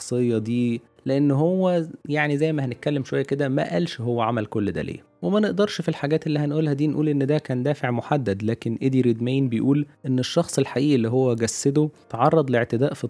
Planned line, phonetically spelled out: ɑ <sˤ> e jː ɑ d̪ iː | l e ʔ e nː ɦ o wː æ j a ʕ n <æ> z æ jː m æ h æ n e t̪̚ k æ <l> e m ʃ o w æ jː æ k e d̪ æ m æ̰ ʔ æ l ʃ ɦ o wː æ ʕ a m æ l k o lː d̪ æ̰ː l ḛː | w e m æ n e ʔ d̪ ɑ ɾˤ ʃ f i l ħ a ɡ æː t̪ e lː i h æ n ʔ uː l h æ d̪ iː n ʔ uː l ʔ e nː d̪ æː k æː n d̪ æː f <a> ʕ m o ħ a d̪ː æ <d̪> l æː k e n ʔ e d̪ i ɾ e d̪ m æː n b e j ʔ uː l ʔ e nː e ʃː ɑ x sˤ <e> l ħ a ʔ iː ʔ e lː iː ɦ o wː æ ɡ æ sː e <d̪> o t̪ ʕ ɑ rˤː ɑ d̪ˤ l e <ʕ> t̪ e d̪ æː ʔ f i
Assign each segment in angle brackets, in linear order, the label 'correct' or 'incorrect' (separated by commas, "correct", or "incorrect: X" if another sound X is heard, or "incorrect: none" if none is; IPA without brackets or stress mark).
correct, incorrect: i, incorrect: lː, incorrect: e, correct, correct, correct, correct